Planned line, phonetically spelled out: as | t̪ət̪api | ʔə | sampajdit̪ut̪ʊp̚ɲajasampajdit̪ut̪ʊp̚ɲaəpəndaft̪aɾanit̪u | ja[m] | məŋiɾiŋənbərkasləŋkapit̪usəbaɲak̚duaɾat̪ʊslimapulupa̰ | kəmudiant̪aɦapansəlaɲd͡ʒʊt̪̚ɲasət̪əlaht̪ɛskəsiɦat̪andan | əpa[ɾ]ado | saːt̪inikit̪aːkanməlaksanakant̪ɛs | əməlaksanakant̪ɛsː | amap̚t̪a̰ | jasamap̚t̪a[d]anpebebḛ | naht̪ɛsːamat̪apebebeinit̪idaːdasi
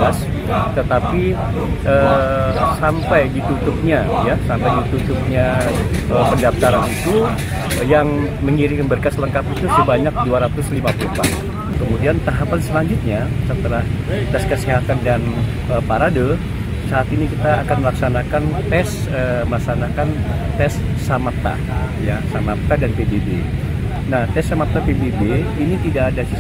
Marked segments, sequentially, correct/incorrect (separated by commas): incorrect, correct, correct